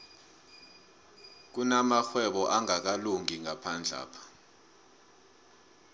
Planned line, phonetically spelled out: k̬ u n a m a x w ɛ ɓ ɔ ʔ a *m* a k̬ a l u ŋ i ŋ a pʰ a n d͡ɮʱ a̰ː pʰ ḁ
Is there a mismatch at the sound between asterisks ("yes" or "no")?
yes